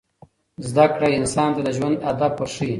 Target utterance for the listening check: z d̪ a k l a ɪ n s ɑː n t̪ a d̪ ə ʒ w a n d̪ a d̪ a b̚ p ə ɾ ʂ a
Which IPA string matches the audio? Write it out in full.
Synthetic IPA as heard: z d̪ a k ɽ a ɪ n s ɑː n t̪ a d̪ ə ʒ w a n d̪ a d̪ a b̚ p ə ɾ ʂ i